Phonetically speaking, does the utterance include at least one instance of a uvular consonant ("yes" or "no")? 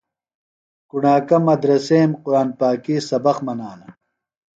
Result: yes